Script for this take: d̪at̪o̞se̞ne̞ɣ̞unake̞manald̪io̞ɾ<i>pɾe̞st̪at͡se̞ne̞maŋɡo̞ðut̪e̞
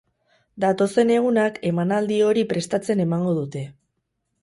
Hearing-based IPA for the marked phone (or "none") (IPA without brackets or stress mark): i